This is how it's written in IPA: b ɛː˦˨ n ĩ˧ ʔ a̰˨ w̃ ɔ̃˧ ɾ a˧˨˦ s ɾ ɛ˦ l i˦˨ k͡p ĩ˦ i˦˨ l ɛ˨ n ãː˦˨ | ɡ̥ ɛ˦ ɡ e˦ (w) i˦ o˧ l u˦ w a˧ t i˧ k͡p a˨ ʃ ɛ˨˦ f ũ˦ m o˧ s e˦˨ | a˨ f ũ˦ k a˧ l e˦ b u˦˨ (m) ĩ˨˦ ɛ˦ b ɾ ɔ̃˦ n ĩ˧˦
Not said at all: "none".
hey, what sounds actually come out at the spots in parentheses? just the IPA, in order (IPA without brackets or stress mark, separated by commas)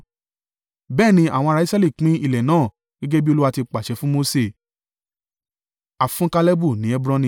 b, n